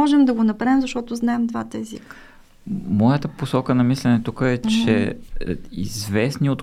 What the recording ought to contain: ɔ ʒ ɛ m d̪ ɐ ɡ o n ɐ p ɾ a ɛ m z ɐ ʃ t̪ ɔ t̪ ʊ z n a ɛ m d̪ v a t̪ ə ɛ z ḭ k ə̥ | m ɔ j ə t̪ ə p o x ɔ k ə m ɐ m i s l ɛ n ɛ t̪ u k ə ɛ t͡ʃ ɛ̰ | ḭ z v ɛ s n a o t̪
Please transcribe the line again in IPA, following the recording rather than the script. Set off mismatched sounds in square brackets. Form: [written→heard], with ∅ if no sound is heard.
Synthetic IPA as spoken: ɔ ʒ ɛ m d̪ ɐ ɡ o n ɐ p ɾ a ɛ m z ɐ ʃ t̪ ɔ t̪ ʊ z n a ɛ m d̪ v a t̪ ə ɛ z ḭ k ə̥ | m ɔ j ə t̪ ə p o [x→s] ɔ k ə [m→n] ɐ m i s l ɛ n ɛ t̪ u k ə ɛ t͡ʃ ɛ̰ | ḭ z v ɛ s n [a→i] o t̪